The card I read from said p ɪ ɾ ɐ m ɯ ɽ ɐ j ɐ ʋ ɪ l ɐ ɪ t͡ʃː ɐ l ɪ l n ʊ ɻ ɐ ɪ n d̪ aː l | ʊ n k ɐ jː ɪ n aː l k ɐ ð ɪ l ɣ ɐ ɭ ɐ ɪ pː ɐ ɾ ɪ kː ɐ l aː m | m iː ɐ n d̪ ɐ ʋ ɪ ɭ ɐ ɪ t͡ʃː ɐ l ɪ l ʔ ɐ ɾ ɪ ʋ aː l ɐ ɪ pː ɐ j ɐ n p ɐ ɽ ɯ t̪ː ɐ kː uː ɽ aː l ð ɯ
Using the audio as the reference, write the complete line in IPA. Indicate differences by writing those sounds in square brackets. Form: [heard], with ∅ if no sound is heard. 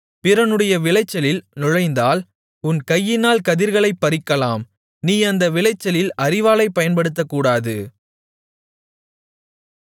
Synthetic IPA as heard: p ɪ ɾ ɐ [n] ɯ ɽ ɐ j ɐ ʋ ɪ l ɐ ɪ t͡ʃː ɐ l ɪ l n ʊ ɻ ɐ ɪ n d̪ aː l | ʊ n k ɐ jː ɪ n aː l k ɐ ð ɪ [ɾ] ɣ ɐ ɭ ɐ ɪ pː ɐ ɾ ɪ kː ɐ l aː m | [n] iː ɐ n d̪ ɐ ʋ ɪ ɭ ɐ ɪ t͡ʃː ɐ l ɪ l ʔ ɐ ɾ ɪ ʋ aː l ɐ ɪ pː ɐ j ɐ n p ɐ ɽ ɯ t̪ː ɐ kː uː ɽ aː [∅] ð ɯ

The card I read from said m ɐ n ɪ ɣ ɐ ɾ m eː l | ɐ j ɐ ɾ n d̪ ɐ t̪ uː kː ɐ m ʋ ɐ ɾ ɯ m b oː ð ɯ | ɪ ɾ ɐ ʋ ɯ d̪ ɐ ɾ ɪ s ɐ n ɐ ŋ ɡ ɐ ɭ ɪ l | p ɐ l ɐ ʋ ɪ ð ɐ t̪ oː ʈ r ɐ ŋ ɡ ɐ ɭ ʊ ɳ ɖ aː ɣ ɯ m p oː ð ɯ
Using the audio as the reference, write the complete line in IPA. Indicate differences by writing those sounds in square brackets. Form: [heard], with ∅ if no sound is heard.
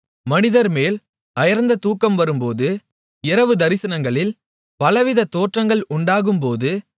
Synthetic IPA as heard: m ɐ n ɪ [ð] ɐ ɾ m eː l | ɐ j ɐ ɾ n d̪ ɐ t̪ uː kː ɐ m ʋ ɐ ɾ ɯ m [p] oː ð ɯ | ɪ ɾ ɐ ʋ ɯ d̪ ɐ ɾ ɪ s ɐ n ɐ ŋ ɡ ɐ ɭ ɪ l | p ɐ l ɐ ʋ ɪ ð ɐ t̪ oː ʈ r ɐ ŋ ɡ ɐ ɭ ʊ ɳ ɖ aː ɣ ɯ m p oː ð ɯ

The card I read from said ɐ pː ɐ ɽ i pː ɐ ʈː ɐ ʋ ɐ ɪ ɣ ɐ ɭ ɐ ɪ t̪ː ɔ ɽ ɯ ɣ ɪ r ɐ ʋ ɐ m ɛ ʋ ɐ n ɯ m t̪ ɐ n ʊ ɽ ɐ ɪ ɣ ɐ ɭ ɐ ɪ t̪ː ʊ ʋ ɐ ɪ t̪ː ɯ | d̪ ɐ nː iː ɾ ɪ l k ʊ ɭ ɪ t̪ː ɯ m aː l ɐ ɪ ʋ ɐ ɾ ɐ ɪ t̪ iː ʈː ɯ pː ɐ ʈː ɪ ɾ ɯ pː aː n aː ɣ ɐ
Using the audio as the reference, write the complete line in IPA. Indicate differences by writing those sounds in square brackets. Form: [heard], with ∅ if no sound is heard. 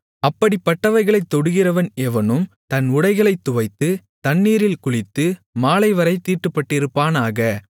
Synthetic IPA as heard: ɐ pː ɐ ɽ i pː ɐ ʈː ɐ ʋ ɐ ɪ ɣ ɐ ɭ ɐ ɪ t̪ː ɔ ɽ ɯ ɣ ɪ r ɐ ʋ ɐ [n] ɛ ʋ ɐ n ɯ m t̪ ɐ n ʊ ɽ ɐ ɪ ɣ ɐ ɭ ɐ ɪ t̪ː ʊ ʋ ɐ ɪ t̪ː ɯ | [t̪] ɐ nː iː ɾ ɪ l k ʊ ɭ ɪ t̪ː ɯ m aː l ɐ ɪ ʋ ɐ ɾ ɐ ɪ t̪ iː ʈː ɯ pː ɐ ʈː ɪ ɾ ɯ pː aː n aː ɣ ɐ

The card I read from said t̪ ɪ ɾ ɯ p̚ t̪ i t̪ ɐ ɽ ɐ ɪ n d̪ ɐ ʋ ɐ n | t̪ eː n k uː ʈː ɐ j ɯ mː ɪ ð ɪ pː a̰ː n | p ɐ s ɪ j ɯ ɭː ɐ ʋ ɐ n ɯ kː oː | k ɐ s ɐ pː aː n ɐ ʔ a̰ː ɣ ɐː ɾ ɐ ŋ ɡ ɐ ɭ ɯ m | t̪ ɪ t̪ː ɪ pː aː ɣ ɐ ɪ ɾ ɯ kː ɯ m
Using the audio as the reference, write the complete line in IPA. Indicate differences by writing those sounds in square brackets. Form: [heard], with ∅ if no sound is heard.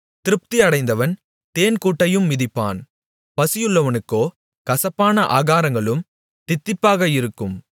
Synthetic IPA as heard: t̪ ɪ ɾ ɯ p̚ t̪ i [∅] ɐ ɽ ɐ ɪ n d̪ ɐ ʋ ɐ n | t̪ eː n k uː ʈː ɐ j ɯ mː ɪ ð ɪ pː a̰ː n | p ɐ s ɪ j ɯ ɭː ɐ ʋ ɐ n ɯ kː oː | k ɐ s ɐ pː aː n ɐ ʔ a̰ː ɣ [aː] ɾ ɐ ŋ ɡ ɐ ɭ ɯ m | t̪ ɪ t̪ː ɪ pː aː ɣ ɐ ɪ ɾ ɯ kː ɯ m

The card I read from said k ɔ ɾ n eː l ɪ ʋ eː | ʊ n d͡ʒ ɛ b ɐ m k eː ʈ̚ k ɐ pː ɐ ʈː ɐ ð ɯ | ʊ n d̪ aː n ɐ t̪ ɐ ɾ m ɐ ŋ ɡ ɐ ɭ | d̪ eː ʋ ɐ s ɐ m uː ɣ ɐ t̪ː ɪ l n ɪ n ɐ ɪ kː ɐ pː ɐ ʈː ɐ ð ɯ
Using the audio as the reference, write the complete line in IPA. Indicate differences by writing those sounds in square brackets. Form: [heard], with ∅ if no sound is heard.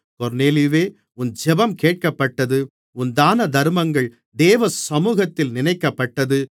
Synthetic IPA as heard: k ɔ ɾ n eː l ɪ ʋ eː | ʊ n d͡ʒ ɛ b ɐ m k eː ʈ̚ k ɐ pː ɐ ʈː ɐ ð ɯ | ʊ n d̪ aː n ɐ [d̪] ɐ ɾ m ɐ ŋ ɡ ɐ ɭ | d̪ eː ʋ ɐ s ɐ m uː ɣ ɐ t̪ː ɪ l n ɪ n ɐ ɪ kː ɐ pː ɐ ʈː ɐ ð ɯ

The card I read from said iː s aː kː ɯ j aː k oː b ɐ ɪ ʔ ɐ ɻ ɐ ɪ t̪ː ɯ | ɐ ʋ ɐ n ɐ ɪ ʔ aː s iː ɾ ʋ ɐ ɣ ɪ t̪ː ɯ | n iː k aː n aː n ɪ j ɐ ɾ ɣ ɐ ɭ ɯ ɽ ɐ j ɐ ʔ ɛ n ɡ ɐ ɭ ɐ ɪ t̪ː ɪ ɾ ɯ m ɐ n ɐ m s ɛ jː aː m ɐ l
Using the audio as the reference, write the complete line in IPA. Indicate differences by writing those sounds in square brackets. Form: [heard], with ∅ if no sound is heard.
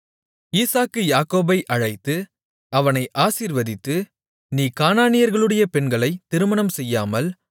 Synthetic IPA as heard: iː s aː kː ɯ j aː k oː b ɐ ɪ ʔ ɐ ɻ ɐ ɪ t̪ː ɯ | ɐ ʋ ɐ n ɐ ɪ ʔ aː s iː ɾ ʋ ɐ [ð] ɪ t̪ː ɯ | n iː k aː n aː n ɪ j ɐ ɾ ɣ ɐ ɭ ɯ ɽ ɐ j ɐ [p] ɛ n ɡ ɐ ɭ ɐ ɪ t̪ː ɪ ɾ ɯ m ɐ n ɐ m s ɛ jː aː m ɐ l

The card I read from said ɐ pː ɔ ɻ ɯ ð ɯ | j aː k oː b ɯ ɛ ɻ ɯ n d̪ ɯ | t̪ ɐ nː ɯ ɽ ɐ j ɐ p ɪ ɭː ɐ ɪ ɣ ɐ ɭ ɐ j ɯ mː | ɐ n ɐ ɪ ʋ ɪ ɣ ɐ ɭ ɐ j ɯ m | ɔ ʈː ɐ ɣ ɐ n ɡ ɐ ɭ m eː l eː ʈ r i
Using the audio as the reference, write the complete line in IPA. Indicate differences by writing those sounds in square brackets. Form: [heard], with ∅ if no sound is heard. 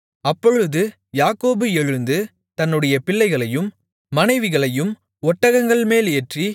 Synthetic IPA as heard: ɐ pː ɔ ɻ ɯ ð ɯ | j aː k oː b ɯ ɛ ɻ ɯ n d̪ ɯ | t̪ ɐ nː ɯ ɽ ɐ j ɐ p ɪ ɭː ɐ ɪ ɣ ɐ ɭ ɐ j ɯ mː | ɐ n ɐ ɪ ʋ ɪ ɣ ɐ ɭ ɐ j ɯ m | ɔ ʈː ɐ ɣ ɐ [ŋ] ɡ ɐ ɭ m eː l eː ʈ r i

